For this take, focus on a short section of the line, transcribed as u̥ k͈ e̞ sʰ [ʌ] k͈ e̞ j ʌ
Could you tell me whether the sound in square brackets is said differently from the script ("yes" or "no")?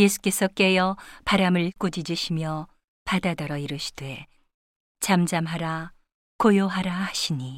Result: no